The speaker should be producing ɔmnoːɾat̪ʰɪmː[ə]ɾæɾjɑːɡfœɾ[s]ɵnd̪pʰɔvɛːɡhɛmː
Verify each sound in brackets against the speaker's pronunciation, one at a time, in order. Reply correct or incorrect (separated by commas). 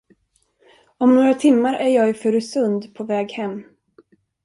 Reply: incorrect, correct